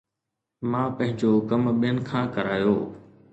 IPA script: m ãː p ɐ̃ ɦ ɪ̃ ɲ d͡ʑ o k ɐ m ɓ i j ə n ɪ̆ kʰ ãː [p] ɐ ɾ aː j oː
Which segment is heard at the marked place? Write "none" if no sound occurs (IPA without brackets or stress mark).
k